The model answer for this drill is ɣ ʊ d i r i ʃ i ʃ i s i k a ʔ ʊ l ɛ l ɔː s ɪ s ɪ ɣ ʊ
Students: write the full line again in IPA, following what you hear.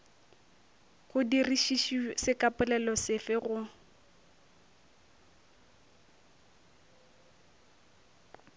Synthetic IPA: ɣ ʊ d i r i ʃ i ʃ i s ɪ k a p ʊ l ɛ l ɔ s ɪ f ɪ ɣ ʊ